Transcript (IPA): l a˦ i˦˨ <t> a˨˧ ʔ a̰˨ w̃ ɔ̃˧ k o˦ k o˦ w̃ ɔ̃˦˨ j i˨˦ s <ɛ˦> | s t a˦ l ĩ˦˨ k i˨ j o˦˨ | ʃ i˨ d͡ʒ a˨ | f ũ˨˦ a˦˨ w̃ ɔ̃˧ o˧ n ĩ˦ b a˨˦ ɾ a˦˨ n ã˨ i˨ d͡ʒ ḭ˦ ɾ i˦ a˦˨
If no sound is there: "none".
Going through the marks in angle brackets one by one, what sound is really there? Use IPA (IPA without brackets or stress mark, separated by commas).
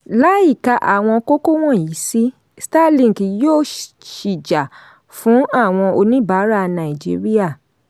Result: k, i˦